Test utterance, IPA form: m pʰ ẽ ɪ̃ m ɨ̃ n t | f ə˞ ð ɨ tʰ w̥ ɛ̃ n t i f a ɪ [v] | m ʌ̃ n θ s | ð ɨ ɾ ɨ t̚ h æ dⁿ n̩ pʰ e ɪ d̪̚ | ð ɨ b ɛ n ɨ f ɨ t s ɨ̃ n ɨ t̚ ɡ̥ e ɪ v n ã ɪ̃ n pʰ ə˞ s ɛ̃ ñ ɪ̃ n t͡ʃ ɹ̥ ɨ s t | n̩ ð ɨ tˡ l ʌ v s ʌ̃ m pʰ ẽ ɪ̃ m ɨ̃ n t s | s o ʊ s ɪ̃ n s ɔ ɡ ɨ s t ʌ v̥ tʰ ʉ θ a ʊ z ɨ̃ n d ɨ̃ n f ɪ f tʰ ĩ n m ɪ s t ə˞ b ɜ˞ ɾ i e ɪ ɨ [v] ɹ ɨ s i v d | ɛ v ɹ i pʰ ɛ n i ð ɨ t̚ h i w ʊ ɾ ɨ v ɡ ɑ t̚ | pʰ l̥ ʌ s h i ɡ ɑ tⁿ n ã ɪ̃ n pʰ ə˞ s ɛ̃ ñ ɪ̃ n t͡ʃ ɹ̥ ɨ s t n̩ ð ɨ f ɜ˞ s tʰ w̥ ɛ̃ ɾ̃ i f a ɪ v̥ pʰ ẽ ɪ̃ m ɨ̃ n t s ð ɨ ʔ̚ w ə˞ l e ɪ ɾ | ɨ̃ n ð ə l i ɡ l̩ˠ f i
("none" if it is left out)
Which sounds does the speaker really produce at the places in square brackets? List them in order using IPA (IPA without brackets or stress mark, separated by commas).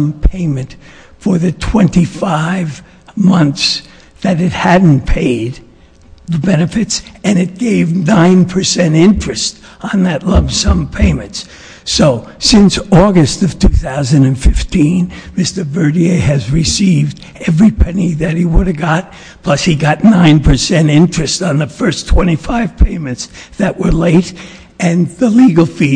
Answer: v, z